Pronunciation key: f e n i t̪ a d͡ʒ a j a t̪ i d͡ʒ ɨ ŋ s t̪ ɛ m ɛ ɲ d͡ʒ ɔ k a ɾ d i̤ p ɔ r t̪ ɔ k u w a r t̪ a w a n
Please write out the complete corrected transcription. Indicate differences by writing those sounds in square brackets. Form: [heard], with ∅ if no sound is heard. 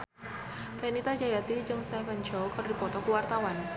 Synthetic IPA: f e n i t̪ a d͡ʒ a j a t̪ i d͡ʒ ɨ ŋ s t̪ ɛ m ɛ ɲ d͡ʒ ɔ k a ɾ d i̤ p ɔ [∅] t̪ ɔ k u w a r t̪ a w a n